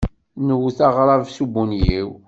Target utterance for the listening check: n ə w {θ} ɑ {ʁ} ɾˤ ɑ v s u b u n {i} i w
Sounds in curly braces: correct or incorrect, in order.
correct, correct, incorrect: j

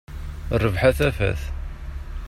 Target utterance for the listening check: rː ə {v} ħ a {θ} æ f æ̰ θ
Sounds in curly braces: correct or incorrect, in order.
correct, correct

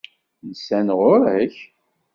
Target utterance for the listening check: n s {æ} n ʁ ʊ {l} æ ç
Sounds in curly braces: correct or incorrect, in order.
correct, incorrect: ɾ

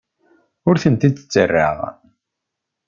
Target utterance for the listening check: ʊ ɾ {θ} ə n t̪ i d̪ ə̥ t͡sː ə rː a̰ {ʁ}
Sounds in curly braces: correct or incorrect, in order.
correct, correct

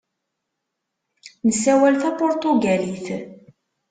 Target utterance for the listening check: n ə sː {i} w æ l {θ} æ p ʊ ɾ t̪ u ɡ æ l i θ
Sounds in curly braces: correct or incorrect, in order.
incorrect: æ, correct

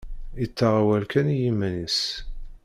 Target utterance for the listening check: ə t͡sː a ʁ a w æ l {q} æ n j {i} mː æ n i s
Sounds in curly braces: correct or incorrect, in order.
incorrect: k, correct

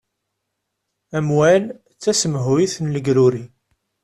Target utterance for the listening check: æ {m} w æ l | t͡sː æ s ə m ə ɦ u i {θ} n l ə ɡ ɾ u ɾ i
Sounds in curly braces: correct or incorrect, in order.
correct, correct

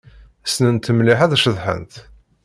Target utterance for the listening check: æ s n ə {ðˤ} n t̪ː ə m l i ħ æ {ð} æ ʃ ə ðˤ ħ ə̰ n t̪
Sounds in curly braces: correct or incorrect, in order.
incorrect: none, correct

